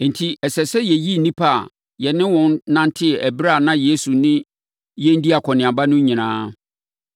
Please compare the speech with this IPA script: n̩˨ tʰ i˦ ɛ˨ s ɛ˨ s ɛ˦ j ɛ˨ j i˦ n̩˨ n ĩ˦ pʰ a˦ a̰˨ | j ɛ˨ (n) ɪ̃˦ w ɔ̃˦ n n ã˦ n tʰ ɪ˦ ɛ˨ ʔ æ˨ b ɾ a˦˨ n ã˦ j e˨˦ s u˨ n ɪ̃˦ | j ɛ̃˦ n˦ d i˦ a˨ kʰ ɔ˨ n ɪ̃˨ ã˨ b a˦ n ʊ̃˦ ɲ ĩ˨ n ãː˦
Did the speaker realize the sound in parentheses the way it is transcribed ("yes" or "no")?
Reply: yes